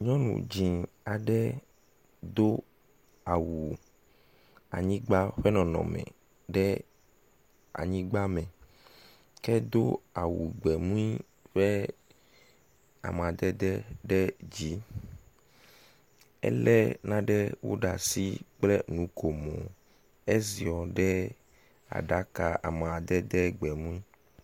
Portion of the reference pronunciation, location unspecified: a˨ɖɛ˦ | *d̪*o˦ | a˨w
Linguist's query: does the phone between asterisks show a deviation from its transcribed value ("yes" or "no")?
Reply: no